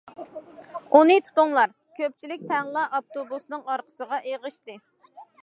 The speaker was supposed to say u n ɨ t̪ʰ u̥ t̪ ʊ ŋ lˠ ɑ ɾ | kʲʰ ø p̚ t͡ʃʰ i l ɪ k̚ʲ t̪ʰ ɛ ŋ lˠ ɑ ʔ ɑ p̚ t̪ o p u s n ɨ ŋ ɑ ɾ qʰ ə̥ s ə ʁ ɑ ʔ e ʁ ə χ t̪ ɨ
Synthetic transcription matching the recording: u n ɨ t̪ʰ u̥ t̪ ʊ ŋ lˠ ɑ ɾ | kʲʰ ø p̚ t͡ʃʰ i l ɪ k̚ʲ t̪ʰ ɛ ŋ lˠ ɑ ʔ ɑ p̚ t̪ o b u s n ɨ ŋ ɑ ɾ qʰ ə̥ s ə ʁ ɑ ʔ e ʁ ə ʃ t̪ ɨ